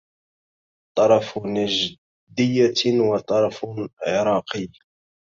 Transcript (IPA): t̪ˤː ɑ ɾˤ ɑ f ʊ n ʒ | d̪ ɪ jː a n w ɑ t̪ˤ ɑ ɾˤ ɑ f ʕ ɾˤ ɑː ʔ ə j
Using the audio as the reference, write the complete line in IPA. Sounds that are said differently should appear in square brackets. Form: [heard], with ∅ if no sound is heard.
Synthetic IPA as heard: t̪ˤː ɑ ɾˤ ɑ f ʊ n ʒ | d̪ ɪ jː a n w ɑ t̪ˤ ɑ ɾˤ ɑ f ʕ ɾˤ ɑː [q] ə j